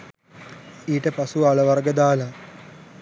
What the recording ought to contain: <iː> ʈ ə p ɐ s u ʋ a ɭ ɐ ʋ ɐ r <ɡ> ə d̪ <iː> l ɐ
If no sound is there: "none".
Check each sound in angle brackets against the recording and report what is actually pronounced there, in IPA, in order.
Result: iː, ɡ, aː

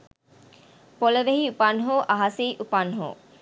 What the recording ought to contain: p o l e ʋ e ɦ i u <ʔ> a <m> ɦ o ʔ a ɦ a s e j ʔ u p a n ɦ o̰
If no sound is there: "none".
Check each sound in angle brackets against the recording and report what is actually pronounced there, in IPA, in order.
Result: p, n

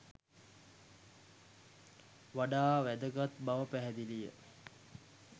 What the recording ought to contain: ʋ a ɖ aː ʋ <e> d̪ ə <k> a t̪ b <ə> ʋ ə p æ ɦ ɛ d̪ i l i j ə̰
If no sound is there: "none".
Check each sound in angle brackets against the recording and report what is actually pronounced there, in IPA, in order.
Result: æ, ɡ, a

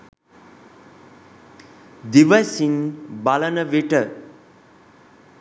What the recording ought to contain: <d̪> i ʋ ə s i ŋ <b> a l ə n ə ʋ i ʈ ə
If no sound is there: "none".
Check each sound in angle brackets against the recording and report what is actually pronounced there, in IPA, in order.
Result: d̪, b

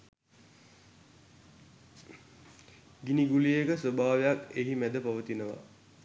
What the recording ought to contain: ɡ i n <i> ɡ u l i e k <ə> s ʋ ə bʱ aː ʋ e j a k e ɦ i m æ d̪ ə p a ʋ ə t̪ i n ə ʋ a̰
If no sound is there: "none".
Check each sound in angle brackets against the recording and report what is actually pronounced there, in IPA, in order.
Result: i, ə

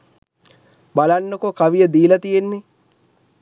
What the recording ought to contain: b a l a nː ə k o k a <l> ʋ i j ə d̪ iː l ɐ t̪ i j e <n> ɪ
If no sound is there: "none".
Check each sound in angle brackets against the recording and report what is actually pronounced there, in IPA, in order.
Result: none, nː

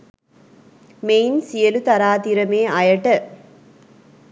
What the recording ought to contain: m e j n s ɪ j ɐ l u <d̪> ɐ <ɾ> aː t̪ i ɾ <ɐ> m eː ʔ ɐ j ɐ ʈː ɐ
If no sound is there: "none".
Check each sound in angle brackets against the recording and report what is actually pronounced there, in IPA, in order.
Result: t̪, ɾ, ɐ

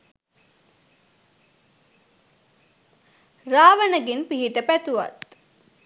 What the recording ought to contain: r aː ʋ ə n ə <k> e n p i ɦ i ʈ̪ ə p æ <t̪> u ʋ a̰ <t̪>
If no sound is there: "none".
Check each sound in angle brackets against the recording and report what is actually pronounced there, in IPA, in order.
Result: ɡ, t̪, t̪

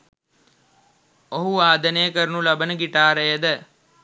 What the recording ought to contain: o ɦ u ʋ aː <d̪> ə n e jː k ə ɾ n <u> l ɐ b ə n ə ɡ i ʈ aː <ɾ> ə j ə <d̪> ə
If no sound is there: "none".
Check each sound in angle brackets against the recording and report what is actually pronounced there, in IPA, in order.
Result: d̪, u, ɾ, d̪

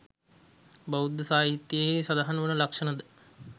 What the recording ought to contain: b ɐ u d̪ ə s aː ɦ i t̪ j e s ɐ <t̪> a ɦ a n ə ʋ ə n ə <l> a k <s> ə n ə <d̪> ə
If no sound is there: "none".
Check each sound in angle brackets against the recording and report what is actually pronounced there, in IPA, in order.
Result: d̪, l, ʂ, d̪

